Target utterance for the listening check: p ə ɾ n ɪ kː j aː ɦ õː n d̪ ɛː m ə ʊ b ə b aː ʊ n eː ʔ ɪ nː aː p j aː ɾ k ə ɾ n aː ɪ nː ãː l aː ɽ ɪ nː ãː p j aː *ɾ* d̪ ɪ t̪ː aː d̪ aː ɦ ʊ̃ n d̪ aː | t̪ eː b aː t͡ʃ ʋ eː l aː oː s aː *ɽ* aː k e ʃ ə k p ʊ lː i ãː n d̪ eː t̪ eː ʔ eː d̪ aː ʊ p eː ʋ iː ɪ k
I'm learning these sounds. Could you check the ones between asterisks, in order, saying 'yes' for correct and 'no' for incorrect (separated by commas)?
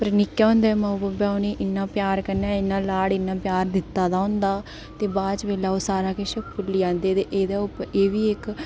yes, no